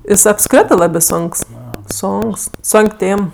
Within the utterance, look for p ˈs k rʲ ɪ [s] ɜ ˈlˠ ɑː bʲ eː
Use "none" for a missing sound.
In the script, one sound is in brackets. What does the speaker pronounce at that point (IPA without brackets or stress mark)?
t